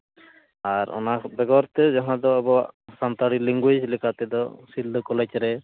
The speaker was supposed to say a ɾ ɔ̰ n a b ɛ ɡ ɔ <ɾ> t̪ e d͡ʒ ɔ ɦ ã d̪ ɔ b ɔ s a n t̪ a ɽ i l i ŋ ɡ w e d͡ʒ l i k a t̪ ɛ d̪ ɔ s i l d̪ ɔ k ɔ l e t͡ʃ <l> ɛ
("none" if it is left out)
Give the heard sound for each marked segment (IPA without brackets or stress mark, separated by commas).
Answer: ɾ, ɾ